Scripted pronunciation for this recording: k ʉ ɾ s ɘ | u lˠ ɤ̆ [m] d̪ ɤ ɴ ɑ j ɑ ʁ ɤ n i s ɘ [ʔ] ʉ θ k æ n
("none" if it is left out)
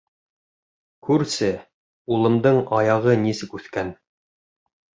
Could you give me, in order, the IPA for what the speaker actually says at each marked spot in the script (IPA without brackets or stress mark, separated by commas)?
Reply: m, k